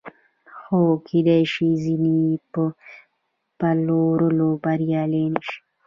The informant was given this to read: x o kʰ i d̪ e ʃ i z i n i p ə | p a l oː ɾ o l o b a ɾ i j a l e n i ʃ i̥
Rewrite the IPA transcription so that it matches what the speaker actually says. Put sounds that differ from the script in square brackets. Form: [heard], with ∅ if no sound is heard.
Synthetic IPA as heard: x o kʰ i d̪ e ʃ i z i n i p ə | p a l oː ɾ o l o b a ɾ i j a l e n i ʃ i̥